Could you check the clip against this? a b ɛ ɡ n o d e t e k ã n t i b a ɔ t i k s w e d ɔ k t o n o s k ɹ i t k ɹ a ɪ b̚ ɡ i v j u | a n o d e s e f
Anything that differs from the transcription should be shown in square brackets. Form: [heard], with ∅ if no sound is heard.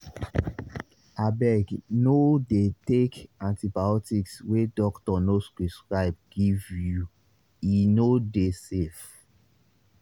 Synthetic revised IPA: a b ɛ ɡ n o d e t e k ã n t i b a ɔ t i k s w e d ɔ k t [ɔ] n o s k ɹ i [s] k ɹ a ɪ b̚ ɡ i v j u | [i] n o d e s e f

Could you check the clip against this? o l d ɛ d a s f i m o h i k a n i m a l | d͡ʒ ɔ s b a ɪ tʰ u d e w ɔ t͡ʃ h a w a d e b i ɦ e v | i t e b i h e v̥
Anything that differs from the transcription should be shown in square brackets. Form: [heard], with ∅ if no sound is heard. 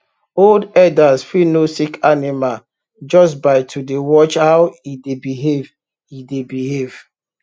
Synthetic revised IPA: o l d ɛ d a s f i [n] o [s] i k a n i m a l | d͡ʒ ɔ s b a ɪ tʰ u d e w ɔ t͡ʃ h a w [i] d e b i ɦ e v | i [d] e b i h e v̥

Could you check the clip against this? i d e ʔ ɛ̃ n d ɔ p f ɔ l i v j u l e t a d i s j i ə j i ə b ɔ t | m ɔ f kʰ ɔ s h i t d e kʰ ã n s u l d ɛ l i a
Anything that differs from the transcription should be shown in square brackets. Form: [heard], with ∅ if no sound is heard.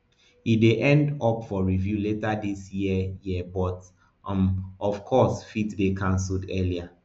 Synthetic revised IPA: i d e ʔ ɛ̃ n d ɔ p f ɔ [ɹ] i v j u l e t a d i s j i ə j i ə b ɔ t | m ɔ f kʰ ɔ s [f] i t d e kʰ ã n s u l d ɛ l i a

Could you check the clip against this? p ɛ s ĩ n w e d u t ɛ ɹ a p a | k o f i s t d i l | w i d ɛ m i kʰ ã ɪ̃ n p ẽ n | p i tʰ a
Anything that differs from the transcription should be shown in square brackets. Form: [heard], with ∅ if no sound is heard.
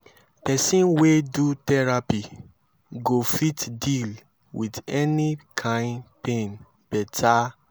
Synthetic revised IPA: p ɛ s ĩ n w e d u t ɛ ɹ a p [i] | [ɡ] o f i [∅] t d i l | w i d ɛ [n] i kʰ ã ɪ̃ n p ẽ n | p [ɛ] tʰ a

